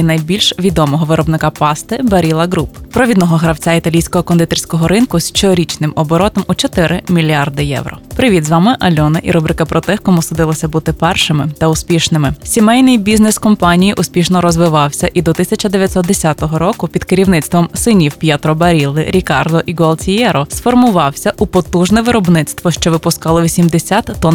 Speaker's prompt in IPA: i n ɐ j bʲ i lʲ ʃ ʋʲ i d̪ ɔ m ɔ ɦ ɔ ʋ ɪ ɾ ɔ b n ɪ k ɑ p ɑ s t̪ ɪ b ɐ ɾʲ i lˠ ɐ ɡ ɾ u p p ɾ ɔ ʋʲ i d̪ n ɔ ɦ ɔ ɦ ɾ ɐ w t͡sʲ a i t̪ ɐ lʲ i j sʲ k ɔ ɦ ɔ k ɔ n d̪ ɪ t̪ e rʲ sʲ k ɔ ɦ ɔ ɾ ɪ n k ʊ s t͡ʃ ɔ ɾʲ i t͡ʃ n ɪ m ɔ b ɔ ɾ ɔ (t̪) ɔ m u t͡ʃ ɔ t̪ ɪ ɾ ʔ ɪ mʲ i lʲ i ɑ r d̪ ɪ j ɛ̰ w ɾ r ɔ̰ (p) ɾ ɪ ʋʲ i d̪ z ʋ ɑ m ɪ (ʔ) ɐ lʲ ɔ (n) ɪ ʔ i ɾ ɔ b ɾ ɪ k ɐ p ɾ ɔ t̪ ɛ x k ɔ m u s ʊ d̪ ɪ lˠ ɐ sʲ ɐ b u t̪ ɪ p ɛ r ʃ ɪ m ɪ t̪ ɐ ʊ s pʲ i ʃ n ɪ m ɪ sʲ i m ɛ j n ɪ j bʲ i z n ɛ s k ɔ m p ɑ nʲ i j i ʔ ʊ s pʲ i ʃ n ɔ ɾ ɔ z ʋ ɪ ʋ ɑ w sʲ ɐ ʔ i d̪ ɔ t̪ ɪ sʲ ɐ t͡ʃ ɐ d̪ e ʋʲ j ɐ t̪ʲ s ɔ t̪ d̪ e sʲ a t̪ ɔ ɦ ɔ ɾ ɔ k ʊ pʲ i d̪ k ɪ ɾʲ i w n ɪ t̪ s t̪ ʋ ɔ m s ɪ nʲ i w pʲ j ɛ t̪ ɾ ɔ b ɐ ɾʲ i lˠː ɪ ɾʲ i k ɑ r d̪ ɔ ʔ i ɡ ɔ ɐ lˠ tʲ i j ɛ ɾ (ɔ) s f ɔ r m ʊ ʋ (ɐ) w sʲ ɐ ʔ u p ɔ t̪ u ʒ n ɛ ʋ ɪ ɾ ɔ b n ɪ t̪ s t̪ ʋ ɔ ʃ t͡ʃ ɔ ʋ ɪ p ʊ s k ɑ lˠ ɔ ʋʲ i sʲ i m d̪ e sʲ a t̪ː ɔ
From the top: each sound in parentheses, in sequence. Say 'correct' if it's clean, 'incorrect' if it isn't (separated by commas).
correct, correct, correct, correct, correct, incorrect